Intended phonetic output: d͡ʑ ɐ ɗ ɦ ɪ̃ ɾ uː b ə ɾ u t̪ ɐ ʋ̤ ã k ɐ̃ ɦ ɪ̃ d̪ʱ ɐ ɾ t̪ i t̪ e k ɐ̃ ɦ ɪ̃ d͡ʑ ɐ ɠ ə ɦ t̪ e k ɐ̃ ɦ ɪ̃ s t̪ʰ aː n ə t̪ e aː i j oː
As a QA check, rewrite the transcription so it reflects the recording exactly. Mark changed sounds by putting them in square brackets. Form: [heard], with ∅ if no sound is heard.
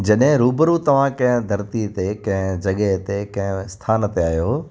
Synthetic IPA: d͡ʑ ɐ ɗ ɦ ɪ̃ ɾ uː b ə ɾ u t̪ ɐ ʋ̤ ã k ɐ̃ ɦ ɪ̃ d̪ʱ ɐ ɾ t̪ i t̪ e k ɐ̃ ɦ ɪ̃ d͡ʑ ɐ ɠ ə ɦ t̪ e k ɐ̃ ɦ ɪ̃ s t̪ʰ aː n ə t̪ e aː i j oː